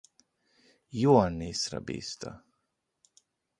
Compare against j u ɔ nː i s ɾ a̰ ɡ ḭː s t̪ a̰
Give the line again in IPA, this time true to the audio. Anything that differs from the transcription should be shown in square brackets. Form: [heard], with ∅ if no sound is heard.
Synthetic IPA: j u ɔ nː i s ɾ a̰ [b] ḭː s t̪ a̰

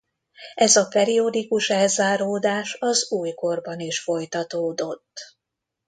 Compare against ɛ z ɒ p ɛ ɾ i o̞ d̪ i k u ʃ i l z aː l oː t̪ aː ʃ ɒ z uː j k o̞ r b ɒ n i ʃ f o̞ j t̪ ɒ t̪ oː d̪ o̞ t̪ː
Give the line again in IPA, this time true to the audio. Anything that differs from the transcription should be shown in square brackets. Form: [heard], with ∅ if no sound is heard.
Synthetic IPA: ɛ z ɒ p ɛ ɾ i o̞ d̪ i k u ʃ [ɛ] l z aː [ɾ] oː [d̪] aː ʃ ɒ z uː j k o̞ r b ɒ n i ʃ f o̞ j t̪ ɒ t̪ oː d̪ o̞ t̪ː

